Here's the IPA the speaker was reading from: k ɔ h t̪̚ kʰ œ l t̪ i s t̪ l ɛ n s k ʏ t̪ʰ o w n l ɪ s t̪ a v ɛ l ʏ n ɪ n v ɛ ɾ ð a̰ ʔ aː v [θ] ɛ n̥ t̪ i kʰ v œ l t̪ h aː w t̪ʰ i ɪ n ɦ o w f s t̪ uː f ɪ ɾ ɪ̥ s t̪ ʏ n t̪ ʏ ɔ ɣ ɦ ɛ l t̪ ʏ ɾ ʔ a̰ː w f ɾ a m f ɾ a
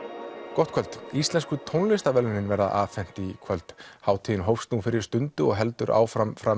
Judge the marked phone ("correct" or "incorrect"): incorrect